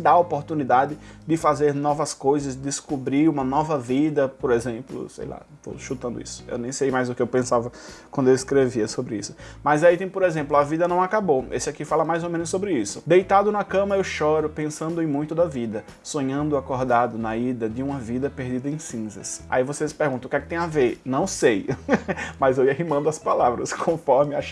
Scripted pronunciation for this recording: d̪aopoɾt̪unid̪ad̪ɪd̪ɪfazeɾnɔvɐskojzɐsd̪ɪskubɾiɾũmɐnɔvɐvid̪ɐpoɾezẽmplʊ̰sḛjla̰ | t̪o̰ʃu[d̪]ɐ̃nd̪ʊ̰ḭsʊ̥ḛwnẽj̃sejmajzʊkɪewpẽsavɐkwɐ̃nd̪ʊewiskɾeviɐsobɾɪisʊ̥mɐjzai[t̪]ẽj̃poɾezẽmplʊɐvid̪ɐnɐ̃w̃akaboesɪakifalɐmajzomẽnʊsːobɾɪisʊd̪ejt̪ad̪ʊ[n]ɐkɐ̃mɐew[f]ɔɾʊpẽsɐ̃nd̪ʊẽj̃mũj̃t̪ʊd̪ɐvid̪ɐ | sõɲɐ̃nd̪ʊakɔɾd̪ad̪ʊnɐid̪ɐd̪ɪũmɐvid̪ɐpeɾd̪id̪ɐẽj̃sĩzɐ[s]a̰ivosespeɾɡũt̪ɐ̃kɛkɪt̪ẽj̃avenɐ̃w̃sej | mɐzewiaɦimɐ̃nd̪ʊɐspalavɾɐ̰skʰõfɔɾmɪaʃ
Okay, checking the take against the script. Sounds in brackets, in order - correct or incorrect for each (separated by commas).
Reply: incorrect, correct, correct, incorrect, correct